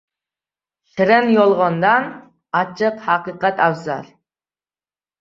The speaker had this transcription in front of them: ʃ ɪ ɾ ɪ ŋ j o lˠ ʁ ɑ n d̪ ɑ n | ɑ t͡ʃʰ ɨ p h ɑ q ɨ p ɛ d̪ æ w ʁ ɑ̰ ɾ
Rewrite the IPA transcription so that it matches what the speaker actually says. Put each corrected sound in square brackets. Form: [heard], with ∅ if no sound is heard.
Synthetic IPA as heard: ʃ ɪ ɾ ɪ [n] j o lˠ ʁ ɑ n d̪ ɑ n | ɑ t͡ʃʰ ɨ [q] h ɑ q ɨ [q] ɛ [t̪] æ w [z] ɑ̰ ɾ